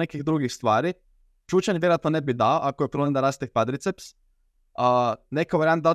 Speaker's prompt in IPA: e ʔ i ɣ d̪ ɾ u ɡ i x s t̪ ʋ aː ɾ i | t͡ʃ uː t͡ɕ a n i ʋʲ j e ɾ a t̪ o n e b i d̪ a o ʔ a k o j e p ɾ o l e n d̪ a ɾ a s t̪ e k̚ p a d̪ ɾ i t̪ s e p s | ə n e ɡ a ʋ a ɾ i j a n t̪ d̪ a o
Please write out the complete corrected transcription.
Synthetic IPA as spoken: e k i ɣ d̪ ɾ u ɡ i x s t̪ ʋ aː ɾ i | t͡ʃ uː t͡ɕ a n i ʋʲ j e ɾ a t̪ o n e b i d̪ a o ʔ a k o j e p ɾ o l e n d̪ a ɾ a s t̪ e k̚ p a d̪ ɾ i t̪ s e p s | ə n e k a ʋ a ɾ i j a n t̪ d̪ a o